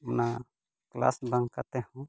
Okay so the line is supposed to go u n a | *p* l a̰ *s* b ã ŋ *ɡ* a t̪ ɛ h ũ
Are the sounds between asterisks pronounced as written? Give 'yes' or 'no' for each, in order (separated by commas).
no, yes, no